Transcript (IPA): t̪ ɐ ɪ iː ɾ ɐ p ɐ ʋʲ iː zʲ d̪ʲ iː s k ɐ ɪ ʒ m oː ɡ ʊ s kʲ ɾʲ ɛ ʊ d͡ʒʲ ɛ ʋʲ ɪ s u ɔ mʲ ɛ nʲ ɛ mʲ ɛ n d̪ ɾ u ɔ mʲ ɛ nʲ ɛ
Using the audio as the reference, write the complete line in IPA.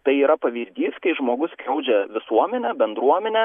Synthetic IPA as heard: t̪ ɐ ɪ iː ɾ ɐ p ɐ ʋʲ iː zʲ d̪ʲ iː s k ɐ ɪ ʒ m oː ɡ ʊ s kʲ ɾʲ ɛ ʊ d͡ʒʲ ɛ ʋʲ ɪ s u ɔ mʲ ɛ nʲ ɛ bʲ ɛ n d̪ ɾ u ɔ mʲ ɛ nʲ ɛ